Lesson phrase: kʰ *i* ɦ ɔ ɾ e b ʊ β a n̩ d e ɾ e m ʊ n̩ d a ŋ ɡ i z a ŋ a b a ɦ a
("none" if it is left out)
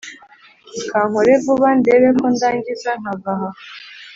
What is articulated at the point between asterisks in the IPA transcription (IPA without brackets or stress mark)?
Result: a